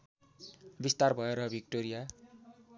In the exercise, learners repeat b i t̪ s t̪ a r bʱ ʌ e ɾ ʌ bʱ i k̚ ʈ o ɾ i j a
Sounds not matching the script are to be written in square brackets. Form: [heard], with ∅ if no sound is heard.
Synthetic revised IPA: b i [∅] s t̪ a r bʱ ʌ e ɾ ʌ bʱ i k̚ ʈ o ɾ i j a